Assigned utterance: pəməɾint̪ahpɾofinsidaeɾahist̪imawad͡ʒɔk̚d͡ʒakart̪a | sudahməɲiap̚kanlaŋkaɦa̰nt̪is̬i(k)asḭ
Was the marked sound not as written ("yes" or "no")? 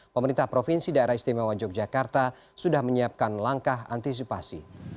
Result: yes